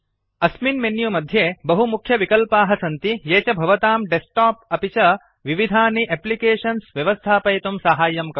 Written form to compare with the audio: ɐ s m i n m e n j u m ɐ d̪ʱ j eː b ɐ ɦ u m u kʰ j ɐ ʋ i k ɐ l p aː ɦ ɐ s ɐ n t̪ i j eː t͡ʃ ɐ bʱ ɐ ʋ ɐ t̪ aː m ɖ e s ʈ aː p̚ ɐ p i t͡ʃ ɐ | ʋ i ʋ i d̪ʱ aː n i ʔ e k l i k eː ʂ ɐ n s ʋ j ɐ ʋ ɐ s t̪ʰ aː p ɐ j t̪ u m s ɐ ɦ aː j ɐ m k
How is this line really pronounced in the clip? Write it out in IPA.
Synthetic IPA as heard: ɐ s m i n m e n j u m ɐ d̪ʱ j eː b ɐ ɦ u m u kʰ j ɐ ʋ i k ɐ l p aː ɦ ɐ s ɐ n t̪ i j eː t͡ʃ ɐ bʱ ɐ ʋ ɐ t̪ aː m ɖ e s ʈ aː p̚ ɐ p i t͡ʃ ɐ | ʋ i ʋ i d̪ʱ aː n i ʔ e p l i k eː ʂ ɐ n s ʋ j ɐ ʋ ɐ s t̪ʰ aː p ɐ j t̪ u m s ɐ ɦ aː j ɐ m k